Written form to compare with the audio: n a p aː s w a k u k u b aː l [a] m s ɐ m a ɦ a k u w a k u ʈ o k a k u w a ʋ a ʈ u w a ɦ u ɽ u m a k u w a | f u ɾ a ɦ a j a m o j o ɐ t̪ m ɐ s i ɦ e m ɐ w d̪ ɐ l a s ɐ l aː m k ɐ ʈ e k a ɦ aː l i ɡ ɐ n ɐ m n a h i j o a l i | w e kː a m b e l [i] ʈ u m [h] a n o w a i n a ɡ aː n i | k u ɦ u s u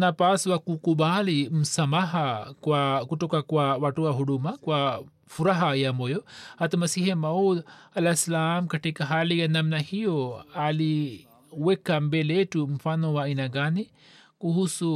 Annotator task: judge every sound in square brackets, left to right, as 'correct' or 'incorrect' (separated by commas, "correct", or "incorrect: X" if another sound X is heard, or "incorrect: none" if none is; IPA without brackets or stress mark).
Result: incorrect: i, incorrect: e, incorrect: f